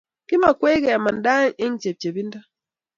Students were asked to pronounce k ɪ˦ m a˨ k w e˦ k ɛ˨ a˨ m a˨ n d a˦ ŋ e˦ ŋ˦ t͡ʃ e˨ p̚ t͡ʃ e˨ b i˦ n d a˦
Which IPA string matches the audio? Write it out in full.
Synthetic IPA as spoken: k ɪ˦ m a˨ k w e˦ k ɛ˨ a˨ m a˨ n d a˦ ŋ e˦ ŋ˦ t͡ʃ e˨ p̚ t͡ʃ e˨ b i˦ n d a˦